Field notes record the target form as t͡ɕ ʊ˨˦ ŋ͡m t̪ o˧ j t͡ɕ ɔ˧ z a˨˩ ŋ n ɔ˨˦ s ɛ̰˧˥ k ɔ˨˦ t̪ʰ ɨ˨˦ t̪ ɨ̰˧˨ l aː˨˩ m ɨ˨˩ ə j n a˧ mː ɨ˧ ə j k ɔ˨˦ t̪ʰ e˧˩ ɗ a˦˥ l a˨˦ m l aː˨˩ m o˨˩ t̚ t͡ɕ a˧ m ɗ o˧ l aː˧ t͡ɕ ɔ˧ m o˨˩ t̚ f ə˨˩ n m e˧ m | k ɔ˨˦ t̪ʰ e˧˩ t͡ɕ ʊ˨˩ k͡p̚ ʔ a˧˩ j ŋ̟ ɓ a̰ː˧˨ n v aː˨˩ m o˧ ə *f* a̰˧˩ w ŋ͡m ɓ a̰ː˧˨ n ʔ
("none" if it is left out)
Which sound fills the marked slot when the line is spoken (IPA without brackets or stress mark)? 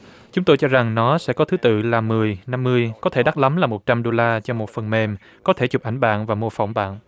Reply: f